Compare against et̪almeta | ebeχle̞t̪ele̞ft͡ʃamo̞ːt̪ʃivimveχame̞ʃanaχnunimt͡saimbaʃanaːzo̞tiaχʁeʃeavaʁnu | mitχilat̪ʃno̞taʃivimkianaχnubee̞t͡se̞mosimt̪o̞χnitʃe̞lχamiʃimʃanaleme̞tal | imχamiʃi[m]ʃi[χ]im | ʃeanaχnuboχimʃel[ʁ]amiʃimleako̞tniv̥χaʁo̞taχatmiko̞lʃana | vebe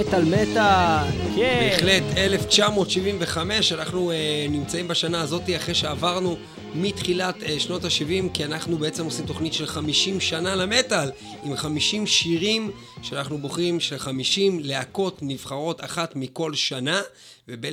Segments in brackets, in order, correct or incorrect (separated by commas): correct, incorrect, incorrect